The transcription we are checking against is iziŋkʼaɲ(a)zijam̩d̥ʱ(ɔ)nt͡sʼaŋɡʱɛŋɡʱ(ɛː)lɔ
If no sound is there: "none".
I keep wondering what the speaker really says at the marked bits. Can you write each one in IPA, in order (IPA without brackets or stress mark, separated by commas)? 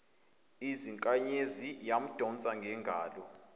e, ɔ, aː